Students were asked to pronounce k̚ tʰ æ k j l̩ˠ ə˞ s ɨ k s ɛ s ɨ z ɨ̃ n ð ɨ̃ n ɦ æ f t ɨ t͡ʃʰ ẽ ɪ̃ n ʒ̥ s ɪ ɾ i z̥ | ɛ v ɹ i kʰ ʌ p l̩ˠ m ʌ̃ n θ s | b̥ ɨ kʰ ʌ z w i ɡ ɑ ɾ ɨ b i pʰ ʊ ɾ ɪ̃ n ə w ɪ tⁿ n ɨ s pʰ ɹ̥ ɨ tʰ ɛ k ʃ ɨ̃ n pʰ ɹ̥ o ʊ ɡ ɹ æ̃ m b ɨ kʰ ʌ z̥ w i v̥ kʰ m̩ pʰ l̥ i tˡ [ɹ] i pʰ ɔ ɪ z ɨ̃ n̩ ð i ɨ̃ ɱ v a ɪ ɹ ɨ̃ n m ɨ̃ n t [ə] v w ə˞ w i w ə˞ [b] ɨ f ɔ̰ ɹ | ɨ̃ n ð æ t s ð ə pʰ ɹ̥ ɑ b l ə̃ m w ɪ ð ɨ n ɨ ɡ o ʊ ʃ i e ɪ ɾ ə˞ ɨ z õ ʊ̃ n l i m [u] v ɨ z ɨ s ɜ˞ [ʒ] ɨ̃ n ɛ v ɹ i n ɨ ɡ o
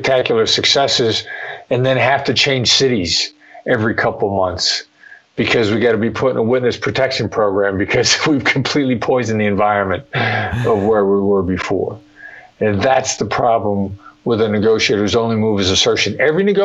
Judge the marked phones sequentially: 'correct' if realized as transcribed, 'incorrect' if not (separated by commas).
incorrect, incorrect, correct, correct, incorrect